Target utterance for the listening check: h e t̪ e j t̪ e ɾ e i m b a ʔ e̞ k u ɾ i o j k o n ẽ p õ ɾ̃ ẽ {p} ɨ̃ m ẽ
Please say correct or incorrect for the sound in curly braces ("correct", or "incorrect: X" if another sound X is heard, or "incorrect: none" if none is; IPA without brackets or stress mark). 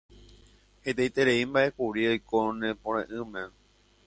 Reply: incorrect: ʔ